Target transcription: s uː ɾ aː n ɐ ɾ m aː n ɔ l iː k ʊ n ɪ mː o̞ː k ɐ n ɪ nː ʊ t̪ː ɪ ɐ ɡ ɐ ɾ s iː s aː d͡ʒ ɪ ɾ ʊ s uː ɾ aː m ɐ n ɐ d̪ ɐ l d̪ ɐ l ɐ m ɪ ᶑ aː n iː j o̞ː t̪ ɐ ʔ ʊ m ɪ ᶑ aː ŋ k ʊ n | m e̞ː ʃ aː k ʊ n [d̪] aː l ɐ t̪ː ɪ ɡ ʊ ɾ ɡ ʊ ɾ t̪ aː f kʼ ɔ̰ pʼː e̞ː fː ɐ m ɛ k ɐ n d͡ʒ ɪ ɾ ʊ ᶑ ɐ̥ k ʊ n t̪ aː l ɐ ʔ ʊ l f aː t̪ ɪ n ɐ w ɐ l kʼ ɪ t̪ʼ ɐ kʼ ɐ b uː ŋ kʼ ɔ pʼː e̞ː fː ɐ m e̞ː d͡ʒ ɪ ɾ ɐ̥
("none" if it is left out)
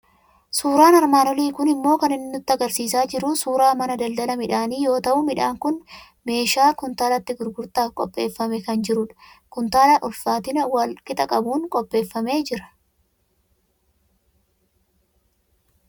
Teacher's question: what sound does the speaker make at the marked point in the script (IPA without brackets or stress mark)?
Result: t̪